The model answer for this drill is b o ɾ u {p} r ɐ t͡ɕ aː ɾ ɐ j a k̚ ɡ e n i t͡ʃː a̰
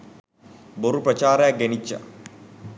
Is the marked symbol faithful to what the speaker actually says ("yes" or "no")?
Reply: yes